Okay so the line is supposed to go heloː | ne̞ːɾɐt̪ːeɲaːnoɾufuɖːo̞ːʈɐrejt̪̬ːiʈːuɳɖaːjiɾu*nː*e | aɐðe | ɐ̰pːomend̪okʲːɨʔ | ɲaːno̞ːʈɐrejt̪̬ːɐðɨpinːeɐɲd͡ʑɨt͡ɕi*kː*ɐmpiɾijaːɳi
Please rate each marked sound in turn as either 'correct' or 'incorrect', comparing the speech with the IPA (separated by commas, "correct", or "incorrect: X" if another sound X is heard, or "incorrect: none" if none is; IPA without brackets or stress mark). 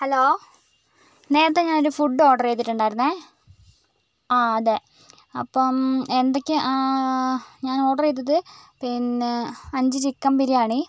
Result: correct, correct